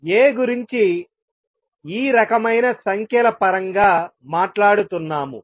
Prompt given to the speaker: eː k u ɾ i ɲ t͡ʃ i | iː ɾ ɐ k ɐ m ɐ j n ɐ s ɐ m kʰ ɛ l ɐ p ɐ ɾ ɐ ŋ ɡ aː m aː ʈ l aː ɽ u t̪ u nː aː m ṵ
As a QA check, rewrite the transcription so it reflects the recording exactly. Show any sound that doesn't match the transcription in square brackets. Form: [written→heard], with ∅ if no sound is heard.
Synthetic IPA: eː [k→ɡ] u ɾ i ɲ t͡ʃ i | iː ɾ ɐ k ɐ m ɐ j n ɐ s ɐ [m→ŋ] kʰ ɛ l ɐ p ɐ ɾ ɐ ŋ ɡ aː m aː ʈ l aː ɽ u t̪ u nː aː m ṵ